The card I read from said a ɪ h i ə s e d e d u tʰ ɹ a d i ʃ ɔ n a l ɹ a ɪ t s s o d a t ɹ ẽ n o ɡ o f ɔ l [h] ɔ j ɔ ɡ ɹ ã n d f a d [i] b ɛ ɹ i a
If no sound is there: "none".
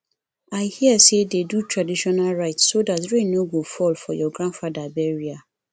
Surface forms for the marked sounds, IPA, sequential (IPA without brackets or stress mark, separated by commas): f, a